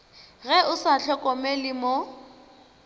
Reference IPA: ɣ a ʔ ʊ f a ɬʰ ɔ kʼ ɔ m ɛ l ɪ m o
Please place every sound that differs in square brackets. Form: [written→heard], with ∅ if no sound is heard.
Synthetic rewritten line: ɣ [a→ɛ] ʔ ʊ [f→s] a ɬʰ ɔ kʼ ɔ m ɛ l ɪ m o